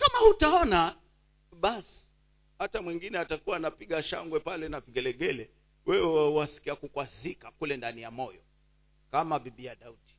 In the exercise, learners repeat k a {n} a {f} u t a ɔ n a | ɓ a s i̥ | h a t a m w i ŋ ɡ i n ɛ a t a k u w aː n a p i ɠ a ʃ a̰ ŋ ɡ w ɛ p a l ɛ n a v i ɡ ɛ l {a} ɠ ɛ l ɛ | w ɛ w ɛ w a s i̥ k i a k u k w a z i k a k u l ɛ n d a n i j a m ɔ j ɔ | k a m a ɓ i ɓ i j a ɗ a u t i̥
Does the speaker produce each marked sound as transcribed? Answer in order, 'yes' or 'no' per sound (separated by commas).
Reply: no, no, no